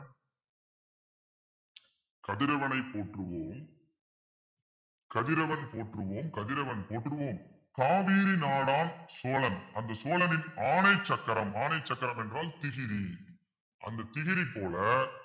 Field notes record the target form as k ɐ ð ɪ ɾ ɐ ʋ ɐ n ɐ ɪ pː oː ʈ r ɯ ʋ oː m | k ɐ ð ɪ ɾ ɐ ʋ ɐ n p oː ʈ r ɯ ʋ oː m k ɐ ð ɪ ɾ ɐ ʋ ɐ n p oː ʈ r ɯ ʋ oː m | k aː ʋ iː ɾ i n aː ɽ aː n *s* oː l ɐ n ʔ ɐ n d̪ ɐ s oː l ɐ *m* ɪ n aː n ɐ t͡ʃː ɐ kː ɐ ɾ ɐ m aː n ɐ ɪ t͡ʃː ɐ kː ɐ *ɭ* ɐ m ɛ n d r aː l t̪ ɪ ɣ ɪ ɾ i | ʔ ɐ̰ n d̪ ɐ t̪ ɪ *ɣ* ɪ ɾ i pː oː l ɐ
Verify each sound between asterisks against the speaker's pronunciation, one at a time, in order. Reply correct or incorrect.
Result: correct, incorrect, incorrect, correct

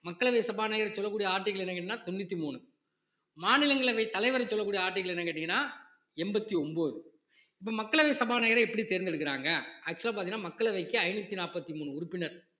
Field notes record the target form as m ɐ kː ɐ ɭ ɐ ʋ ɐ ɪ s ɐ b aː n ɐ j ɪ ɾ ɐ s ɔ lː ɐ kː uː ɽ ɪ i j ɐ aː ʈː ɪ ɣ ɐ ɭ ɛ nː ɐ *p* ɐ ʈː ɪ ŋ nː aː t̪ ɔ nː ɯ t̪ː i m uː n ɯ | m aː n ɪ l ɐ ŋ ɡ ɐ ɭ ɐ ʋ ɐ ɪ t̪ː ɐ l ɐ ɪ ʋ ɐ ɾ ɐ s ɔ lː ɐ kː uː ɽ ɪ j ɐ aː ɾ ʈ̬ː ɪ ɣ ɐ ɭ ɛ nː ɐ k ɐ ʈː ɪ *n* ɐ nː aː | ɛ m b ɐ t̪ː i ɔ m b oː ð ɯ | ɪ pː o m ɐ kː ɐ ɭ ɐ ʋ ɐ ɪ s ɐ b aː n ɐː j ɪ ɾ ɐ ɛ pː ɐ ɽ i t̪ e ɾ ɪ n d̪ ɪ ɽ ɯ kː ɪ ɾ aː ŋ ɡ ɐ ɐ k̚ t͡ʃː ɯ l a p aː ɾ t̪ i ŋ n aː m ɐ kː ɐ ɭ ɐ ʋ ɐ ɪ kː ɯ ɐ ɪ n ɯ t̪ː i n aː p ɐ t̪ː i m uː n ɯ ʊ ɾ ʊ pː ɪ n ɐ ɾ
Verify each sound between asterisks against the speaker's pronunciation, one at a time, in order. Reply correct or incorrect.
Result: incorrect, incorrect

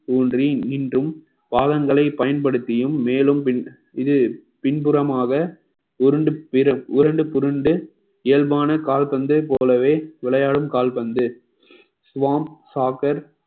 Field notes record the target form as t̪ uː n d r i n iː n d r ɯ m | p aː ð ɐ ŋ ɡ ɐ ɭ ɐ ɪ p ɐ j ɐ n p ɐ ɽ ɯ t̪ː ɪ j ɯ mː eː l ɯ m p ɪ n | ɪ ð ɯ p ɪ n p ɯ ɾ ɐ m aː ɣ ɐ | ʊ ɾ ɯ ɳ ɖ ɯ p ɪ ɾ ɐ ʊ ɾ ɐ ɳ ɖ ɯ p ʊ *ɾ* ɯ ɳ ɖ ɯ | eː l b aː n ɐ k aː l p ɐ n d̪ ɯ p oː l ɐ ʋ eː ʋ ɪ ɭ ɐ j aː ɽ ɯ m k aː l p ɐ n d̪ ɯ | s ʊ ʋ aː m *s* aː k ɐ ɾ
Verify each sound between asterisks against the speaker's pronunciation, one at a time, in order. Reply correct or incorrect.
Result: correct, correct

